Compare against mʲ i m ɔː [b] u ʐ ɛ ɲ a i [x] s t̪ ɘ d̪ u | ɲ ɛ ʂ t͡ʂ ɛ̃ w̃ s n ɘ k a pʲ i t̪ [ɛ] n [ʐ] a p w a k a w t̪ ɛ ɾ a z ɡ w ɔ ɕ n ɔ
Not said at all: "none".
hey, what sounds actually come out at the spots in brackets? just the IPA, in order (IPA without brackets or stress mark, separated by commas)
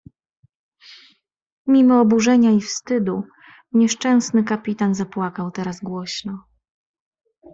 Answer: b, f, a, z